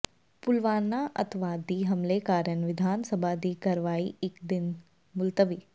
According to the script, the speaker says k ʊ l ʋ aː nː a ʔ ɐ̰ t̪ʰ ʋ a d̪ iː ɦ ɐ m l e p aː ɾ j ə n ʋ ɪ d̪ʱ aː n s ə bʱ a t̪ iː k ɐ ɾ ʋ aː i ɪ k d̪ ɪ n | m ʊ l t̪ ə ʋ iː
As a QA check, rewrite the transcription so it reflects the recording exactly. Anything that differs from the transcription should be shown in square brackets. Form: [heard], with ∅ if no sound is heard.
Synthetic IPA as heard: [p] ʊ l ʋ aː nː a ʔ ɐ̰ t̪ʰ ʋ a d̪ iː ɦ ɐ m l e [k] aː ɾ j ə n ʋ ɪ d̪ʱ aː n s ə bʱ a [d̪] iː k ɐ ɾ ʋ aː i ɪ k d̪ ɪ n | m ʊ l t̪ ə ʋ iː